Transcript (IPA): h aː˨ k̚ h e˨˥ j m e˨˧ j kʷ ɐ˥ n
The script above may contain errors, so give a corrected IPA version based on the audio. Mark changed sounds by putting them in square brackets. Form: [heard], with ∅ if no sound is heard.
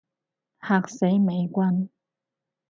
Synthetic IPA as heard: h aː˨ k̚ [s] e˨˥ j m e˨˧ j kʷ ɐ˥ n